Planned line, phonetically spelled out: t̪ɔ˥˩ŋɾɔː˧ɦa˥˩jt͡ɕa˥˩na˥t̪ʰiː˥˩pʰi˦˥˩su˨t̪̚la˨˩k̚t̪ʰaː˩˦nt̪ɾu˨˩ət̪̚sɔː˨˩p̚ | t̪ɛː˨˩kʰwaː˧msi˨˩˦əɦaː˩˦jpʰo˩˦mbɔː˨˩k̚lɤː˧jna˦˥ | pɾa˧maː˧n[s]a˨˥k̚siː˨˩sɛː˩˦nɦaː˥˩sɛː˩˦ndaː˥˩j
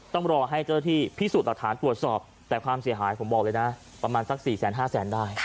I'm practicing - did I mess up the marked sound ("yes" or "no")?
no